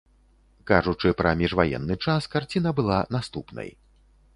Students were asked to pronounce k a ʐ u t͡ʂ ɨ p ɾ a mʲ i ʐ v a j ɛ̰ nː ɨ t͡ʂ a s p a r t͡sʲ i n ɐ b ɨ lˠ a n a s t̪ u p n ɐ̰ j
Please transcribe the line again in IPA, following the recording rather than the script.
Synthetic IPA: k a ʐ u t͡ʂ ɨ p ɾ ɐ mʲ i ʐ v a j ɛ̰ nː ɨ t͡ʂ a s k a r t͡sʲ i n ɐ b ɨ lˠ a n a s t̪ u p n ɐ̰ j

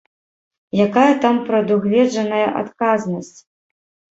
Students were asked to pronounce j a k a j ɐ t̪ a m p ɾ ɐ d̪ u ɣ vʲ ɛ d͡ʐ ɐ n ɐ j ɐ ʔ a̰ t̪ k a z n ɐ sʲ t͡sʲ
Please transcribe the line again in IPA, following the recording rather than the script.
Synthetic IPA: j a k a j ɐ t̪ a m p ɾ ɐ d̪ u ɣ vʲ ɛ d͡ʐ ɐ n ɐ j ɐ ʔ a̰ t̪ k a z n ɐ sʲ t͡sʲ

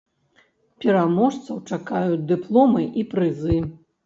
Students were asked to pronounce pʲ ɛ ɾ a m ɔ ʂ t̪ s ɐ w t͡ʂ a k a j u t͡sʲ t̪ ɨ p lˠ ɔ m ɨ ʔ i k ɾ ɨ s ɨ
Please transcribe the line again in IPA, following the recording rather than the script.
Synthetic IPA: pʲ ɛ ɾ a m ɔ ʂ t̪ s ɐ w t͡ʂ a k a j u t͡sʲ d̪ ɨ p lˠ ɔ m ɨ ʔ i p ɾ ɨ z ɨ

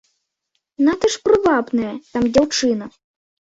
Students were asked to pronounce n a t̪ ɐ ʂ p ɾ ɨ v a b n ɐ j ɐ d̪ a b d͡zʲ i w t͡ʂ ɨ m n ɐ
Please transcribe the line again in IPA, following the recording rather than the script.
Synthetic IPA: n a t̪ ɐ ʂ p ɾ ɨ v a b n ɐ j ɐ t̪ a m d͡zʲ a w t͡ʂ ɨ n ɐ

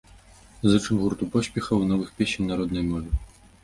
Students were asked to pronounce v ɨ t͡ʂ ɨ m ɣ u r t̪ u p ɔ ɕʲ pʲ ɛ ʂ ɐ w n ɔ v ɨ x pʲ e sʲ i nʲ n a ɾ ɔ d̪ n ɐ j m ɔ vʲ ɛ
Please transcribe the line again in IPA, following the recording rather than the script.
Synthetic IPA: z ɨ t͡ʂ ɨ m ɣ u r t̪ u p ɔ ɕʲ pʲ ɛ x ɐ w n ɔ v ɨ x pʲ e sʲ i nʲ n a ɾ ɔ d̪ n ɐ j m ɔ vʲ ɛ

